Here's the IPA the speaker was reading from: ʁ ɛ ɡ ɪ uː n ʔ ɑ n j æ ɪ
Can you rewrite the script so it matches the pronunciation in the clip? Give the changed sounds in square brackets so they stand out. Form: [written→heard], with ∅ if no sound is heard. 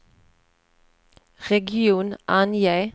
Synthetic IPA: ʁ ɛ ɡ ɪ uː n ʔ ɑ n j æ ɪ